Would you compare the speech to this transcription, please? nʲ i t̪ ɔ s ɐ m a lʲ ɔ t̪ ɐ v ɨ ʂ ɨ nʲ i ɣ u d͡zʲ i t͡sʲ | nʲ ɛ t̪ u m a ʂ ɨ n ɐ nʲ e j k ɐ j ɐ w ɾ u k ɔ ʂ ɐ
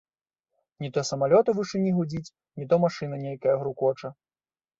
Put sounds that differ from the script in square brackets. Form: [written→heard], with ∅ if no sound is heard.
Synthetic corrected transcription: nʲ i t̪ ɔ s ɐ m a lʲ ɔ t̪ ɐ v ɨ ʂ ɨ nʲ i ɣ u d͡zʲ i t͡sʲ | nʲ [ɛ→i] t̪ [u→ɔ] m a ʂ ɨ n ɐ nʲ e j k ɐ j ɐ [w→ɣ] ɾ u k ɔ [ʂ→t͡ʂ] ɐ